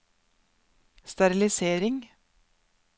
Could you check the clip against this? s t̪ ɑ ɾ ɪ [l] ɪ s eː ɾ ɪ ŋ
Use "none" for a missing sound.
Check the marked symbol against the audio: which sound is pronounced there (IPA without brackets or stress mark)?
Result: l